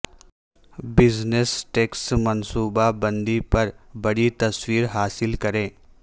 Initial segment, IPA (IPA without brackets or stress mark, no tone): b